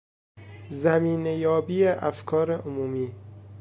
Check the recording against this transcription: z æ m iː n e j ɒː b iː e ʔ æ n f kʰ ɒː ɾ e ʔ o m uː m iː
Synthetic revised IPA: z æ m iː n e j ɒː b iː e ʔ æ f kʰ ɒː ɾ e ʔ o m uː m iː